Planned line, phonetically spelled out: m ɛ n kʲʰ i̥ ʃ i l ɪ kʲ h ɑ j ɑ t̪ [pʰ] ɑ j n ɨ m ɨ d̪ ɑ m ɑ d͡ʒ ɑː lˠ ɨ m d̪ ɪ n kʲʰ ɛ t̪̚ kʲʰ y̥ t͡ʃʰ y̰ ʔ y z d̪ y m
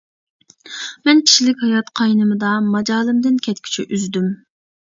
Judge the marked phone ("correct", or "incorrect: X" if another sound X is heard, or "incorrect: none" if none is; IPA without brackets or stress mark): incorrect: qʰ